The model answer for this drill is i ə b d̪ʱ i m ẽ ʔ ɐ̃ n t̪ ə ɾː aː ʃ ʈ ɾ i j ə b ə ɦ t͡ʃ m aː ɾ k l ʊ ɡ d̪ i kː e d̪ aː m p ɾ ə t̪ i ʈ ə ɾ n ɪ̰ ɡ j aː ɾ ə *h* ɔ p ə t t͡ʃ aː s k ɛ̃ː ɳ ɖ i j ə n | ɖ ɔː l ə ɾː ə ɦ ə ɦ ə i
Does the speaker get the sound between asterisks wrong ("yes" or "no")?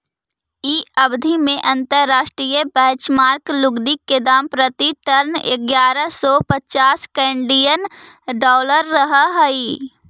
yes